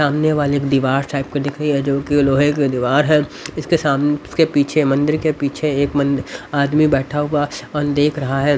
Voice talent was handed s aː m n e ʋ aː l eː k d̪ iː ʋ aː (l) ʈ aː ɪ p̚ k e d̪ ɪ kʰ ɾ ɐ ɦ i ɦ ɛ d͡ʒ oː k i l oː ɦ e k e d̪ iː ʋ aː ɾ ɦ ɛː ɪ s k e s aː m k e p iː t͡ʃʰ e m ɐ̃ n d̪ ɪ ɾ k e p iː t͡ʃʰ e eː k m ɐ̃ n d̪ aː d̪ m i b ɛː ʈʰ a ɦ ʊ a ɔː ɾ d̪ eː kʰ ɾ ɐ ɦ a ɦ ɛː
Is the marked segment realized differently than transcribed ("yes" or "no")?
yes